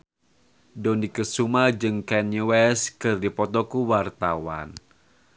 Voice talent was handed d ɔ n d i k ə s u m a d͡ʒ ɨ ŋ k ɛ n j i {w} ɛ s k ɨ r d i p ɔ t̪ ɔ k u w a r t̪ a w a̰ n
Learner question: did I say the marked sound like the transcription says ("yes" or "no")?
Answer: yes